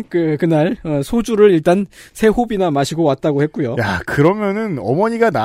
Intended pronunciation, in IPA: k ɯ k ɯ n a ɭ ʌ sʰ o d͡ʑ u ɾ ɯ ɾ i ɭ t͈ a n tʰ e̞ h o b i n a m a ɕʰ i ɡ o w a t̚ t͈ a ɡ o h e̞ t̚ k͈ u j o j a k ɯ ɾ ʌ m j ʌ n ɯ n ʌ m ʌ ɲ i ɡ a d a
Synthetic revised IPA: k ɯ k ɯ n a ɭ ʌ sʰ o d͡ʑ u ɾ ɯ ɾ i ɭ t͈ a n sʰ e̞ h o b i n a m a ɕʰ i ɡ o w a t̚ t͈ a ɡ o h e̞ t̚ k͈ u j o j a k ɯ ɾ ʌ m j ʌ n ɯ n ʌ m ʌ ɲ i ɡ a n a